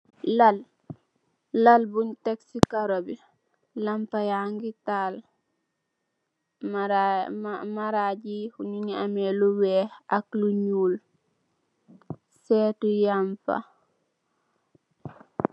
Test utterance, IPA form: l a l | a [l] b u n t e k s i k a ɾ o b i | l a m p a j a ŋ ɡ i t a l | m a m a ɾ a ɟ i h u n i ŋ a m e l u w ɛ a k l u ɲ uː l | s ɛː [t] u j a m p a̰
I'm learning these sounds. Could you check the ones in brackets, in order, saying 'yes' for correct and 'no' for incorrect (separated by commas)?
yes, yes